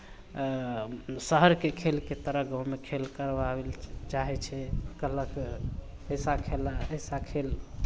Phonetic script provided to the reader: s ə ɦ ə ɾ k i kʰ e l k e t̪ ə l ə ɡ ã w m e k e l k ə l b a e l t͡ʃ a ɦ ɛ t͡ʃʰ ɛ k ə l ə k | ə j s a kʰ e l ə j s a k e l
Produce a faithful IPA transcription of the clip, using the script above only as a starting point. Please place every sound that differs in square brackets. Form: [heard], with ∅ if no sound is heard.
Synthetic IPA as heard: s ə ɦ ə ɾ k [e] kʰ e l k e t̪ ə [ɾ] ə ɡ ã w m e [kʰ] e l k ə [ɾ] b a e l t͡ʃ a ɦ ɛ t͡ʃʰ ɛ k ə l ə k | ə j s a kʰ e l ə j s a [kʰ] e l